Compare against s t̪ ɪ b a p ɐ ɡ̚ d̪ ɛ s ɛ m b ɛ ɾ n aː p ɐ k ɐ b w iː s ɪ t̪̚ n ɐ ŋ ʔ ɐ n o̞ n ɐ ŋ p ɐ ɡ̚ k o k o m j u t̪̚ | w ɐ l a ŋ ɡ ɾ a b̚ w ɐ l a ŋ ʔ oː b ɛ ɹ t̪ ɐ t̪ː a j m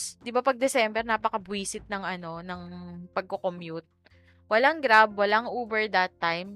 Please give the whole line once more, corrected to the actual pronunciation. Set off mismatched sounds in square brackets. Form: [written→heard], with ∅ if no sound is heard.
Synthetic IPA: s [t̪→d̪] ɪ b a p ɐ ɡ̚ d̪ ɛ s ɛ m b ɛ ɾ n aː p ɐ k ɐ b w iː s ɪ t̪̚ n ɐ ŋ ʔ ɐ n o̞ n ɐ ŋ p ɐ ɡ̚ k o k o m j u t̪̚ | w ɐ l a ŋ ɡ ɾ a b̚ w ɐ l a ŋ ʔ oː b ɛ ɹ [t̪→d̪] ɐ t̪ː a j m